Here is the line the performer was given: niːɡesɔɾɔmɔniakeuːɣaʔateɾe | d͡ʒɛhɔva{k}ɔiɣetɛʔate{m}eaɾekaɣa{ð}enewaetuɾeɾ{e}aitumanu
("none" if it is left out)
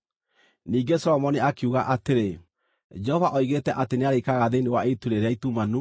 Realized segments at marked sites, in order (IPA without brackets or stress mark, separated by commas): ʔ, n, ð, e